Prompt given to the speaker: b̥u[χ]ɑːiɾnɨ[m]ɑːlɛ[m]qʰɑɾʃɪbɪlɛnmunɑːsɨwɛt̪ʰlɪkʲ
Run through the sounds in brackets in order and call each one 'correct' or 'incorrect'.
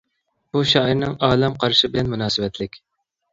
incorrect, incorrect, correct

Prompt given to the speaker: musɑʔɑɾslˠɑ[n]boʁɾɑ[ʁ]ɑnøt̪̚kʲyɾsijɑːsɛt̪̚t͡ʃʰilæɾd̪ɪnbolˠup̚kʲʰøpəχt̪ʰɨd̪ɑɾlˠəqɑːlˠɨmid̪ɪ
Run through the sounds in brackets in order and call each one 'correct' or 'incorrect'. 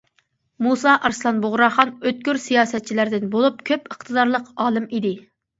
correct, incorrect

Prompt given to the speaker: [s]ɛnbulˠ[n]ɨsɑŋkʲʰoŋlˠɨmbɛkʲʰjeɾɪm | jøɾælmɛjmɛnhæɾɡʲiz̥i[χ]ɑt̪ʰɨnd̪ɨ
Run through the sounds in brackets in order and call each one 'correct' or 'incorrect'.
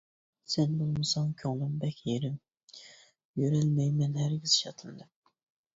correct, incorrect, incorrect

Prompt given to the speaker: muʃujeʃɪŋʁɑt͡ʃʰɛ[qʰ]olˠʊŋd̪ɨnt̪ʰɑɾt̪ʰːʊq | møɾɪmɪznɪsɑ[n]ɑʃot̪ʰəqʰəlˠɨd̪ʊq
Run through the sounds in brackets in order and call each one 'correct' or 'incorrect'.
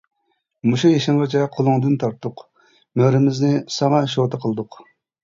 correct, incorrect

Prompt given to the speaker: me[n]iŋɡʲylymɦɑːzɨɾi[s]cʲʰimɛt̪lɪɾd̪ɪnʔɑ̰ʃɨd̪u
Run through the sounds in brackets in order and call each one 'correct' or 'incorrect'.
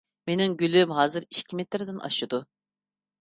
correct, incorrect

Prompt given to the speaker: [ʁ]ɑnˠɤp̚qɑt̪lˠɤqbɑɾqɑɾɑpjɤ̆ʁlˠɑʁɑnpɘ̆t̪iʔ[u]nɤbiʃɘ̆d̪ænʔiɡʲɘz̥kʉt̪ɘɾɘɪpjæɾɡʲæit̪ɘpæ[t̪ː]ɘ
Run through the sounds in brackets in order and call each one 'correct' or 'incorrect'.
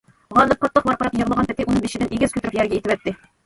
correct, correct, correct

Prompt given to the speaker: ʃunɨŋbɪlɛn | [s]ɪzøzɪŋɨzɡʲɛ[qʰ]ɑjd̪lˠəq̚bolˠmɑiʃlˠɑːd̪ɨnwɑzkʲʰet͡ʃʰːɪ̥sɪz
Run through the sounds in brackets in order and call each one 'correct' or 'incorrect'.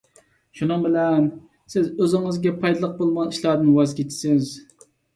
correct, incorrect

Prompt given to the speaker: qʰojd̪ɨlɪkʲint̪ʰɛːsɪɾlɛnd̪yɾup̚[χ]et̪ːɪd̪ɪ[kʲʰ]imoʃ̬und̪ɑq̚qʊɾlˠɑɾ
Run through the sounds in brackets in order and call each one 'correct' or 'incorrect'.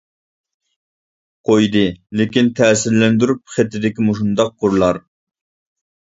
correct, incorrect

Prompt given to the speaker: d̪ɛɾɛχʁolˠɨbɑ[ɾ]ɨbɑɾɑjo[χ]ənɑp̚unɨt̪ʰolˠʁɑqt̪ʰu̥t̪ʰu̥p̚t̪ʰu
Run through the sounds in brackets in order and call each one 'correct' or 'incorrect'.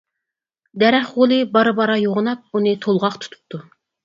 correct, incorrect

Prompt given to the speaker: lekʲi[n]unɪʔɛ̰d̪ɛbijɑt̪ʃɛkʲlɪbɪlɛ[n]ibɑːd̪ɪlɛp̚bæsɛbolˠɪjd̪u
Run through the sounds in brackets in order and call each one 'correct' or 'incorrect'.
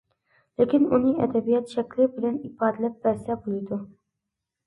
correct, correct

